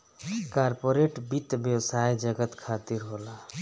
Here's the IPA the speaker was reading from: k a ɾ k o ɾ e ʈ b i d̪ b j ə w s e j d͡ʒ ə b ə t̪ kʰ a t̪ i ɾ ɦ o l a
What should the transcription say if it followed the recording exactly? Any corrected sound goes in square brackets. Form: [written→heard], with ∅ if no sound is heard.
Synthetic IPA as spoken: k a ɾ [k→p] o ɾ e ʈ b i [d̪→t̪] b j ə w s [e→a] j d͡ʒ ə [b→ɡ] ə t̪ kʰ a t̪ i ɾ ɦ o l a